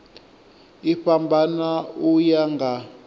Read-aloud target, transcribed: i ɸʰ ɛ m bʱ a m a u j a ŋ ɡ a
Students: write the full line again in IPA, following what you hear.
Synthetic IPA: i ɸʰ a m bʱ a n a u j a ŋ ɡ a